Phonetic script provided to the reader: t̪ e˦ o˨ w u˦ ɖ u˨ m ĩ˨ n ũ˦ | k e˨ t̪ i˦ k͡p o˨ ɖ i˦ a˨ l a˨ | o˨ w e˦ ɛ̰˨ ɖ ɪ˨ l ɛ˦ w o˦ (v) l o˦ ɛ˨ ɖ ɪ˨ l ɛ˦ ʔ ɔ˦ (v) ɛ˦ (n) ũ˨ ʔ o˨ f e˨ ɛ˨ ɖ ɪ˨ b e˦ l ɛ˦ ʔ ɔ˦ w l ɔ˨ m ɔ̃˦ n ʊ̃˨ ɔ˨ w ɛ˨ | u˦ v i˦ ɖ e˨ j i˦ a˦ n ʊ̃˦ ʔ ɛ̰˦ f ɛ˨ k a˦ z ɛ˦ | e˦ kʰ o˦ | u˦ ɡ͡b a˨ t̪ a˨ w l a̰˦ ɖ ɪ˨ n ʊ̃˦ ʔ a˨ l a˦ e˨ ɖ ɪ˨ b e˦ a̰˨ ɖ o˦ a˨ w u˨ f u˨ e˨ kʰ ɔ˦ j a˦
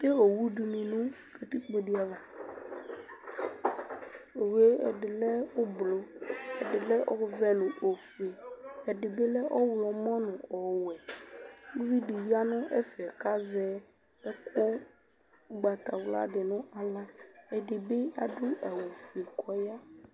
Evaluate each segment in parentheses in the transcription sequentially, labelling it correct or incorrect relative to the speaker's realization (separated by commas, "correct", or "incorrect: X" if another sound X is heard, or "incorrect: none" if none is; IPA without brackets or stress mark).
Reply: incorrect: b, correct, correct